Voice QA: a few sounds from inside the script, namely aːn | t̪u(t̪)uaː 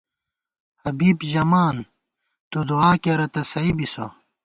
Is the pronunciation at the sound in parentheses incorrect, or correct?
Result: incorrect